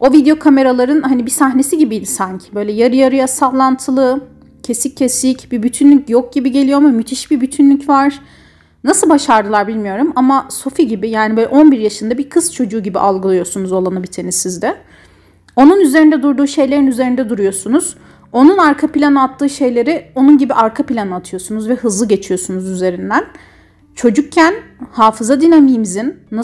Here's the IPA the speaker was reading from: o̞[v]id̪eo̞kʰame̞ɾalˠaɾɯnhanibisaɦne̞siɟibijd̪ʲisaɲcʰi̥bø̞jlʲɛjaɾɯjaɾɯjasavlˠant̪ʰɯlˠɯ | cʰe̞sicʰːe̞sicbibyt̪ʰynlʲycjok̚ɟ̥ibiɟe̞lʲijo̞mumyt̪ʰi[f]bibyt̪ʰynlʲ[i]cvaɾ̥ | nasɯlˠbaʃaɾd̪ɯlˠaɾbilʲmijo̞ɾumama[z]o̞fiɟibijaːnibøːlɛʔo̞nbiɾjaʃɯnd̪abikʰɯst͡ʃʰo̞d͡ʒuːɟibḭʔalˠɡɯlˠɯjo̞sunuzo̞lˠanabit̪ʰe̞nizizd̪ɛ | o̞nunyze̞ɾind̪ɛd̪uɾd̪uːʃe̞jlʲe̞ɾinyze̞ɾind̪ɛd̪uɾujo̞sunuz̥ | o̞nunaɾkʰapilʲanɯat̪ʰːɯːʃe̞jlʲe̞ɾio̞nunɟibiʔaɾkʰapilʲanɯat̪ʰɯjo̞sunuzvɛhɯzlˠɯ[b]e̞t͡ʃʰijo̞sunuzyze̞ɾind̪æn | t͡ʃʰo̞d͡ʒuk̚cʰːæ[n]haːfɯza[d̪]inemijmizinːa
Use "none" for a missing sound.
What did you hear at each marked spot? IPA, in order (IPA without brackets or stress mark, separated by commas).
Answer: v, ʃ, y, s, ɟ, n, d̪